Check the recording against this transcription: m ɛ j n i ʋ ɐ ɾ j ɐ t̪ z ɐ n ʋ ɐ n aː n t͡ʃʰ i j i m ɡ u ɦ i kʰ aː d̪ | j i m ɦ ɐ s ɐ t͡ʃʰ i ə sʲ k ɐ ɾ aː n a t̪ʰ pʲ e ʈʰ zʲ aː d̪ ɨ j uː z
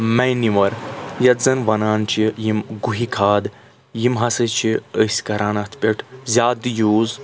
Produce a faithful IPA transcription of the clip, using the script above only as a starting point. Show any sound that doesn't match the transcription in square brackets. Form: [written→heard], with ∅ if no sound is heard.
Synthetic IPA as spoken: m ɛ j n i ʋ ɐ ɾ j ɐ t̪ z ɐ n ʋ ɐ n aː n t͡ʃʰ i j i m ɡ u ɦ i kʰ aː d̪ | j i m ɦ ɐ s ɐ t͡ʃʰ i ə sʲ k ɐ ɾ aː n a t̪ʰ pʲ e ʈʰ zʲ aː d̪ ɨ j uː z